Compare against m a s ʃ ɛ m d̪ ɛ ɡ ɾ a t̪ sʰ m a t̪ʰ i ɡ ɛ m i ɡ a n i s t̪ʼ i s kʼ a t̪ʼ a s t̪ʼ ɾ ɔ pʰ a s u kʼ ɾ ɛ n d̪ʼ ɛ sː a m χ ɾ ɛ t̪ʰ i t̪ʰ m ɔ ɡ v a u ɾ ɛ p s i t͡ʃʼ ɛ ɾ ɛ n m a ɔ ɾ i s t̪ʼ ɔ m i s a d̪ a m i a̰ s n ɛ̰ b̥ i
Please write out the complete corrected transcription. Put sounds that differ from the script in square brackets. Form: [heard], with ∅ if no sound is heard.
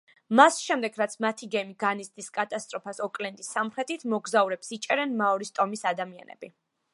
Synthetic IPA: m a s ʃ ɛ m d̪ ɛ ɡ ɾ a t̪ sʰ m a t̪ʰ i ɡ ɛ m i ɡ a n i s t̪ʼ i s kʼ a t̪ʼ a s t̪ʼ ɾ ɔ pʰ a s [ɔ] kʼ [l] ɛ n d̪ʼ [i] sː a m χ ɾ ɛ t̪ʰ i t̪ʰ m ɔ ɡ [z] a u ɾ ɛ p s i t͡ʃʼ ɛ ɾ ɛ n m a ɔ ɾ i s t̪ʼ ɔ m i s a d̪ a m i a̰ [∅] n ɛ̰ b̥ i